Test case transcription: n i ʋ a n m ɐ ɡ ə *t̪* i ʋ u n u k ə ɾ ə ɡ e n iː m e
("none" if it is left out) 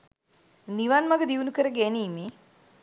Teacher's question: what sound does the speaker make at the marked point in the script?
d̪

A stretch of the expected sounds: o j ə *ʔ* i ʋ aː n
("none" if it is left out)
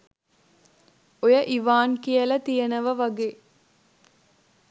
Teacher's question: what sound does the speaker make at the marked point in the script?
ʔ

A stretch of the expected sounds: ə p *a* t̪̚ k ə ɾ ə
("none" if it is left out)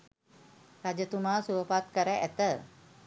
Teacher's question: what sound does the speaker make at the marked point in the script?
a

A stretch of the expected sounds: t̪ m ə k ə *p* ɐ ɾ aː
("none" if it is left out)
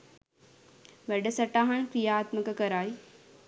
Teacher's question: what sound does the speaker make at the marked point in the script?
k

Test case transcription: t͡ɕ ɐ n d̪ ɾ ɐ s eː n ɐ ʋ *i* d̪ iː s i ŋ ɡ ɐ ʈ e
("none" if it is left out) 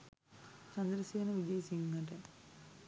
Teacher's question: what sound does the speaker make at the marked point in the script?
i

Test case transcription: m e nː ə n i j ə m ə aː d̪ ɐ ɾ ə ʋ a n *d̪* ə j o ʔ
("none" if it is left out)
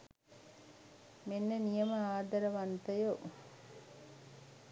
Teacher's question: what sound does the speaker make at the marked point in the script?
t̪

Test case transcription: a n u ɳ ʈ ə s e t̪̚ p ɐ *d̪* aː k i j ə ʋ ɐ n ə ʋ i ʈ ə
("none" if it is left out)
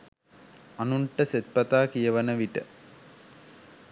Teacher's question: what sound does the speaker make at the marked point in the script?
t̪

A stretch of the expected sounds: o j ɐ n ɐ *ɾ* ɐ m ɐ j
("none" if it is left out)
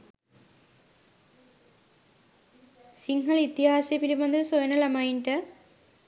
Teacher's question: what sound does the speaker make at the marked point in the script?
l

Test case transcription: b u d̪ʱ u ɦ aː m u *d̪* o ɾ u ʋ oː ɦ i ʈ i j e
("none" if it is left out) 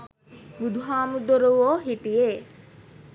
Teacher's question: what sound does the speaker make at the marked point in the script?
d̪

